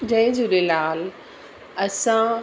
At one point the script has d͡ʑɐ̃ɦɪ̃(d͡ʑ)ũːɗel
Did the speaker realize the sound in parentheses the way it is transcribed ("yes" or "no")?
yes